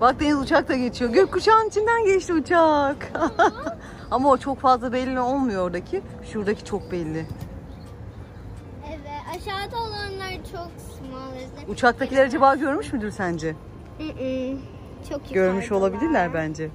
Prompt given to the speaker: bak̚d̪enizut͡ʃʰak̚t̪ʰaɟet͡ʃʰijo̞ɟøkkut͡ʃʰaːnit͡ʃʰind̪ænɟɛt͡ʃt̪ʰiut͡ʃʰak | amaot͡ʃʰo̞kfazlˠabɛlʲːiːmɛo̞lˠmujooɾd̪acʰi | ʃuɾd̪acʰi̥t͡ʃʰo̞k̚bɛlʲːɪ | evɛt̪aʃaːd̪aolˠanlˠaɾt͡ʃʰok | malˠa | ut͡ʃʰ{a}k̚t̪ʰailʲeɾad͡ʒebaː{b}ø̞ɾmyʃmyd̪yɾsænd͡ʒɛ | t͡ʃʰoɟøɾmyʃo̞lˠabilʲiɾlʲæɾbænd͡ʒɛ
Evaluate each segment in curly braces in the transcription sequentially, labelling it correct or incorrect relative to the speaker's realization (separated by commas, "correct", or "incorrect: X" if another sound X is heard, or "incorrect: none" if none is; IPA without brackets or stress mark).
correct, incorrect: ɟ